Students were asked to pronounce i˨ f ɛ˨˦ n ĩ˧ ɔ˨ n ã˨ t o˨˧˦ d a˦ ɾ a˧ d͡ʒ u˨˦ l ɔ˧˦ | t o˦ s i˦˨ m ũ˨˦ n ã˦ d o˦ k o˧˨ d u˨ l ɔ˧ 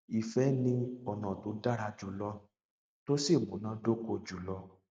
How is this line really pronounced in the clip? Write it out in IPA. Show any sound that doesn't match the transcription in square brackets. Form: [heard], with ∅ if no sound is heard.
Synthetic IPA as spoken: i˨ f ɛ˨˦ n ĩ˧ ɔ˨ n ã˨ t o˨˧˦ d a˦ ɾ a˧ d͡ʒ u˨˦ l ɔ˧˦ | t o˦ s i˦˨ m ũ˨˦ n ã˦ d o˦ k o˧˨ [d͡ʒ] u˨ l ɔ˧